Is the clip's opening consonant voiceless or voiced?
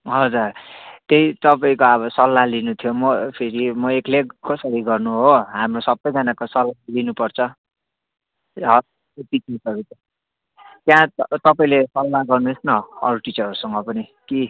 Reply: voiced